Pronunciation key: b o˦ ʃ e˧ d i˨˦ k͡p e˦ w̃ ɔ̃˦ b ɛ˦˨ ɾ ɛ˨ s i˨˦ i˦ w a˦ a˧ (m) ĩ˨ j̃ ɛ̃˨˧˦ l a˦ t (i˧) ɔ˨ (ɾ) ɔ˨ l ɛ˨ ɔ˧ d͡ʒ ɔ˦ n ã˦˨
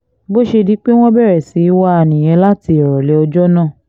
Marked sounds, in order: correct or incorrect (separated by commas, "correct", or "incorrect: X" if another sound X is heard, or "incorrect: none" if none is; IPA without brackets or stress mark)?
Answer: incorrect: n, correct, correct